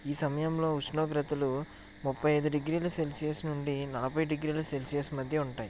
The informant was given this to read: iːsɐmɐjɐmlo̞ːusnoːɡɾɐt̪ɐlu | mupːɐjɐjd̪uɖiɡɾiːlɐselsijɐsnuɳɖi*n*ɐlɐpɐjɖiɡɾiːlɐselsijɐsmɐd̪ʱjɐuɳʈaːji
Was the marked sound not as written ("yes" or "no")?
no